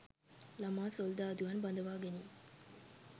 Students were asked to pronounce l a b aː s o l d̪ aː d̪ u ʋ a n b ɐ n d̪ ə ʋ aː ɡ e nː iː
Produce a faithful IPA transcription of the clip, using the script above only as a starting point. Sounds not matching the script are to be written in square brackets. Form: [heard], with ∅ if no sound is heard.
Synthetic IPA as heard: l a [m] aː s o l d̪ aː d̪ u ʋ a n b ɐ n d̪ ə ʋ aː ɡ e [n] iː